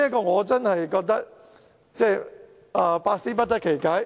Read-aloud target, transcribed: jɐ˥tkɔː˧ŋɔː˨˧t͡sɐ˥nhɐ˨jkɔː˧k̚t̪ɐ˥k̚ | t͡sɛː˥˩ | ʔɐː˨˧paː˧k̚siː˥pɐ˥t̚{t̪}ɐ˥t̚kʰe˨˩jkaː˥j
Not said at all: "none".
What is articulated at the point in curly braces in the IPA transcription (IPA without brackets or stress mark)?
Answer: t̪